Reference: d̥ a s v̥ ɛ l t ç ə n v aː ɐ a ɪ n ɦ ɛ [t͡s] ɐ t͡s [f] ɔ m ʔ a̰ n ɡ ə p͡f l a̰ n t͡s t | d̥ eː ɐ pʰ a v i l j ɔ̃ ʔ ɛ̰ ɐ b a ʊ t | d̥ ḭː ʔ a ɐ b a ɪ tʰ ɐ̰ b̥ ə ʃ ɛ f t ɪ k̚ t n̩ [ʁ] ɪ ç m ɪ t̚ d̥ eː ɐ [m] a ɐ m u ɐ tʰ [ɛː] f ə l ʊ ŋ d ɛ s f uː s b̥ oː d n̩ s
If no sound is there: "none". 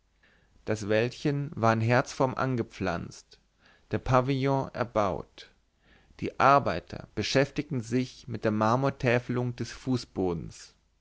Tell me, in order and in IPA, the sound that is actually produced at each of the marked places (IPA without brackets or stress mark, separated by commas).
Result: none, f, z, m, ɛː